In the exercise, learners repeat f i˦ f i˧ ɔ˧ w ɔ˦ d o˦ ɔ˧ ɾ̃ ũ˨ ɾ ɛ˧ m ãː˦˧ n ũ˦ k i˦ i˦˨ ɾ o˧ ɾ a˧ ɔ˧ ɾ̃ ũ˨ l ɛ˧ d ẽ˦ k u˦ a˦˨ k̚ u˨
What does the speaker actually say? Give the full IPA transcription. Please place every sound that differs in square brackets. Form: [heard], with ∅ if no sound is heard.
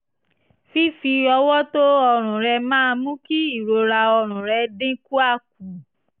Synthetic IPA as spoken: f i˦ f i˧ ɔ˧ w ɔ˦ [t] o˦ ɔ˧ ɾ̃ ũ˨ ɾ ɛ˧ m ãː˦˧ [m] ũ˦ k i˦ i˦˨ ɾ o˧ ɾ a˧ ɔ˧ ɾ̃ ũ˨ [ɾ] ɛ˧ d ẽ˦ k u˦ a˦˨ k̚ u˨